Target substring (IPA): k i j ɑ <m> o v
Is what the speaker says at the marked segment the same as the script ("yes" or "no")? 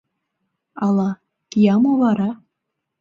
yes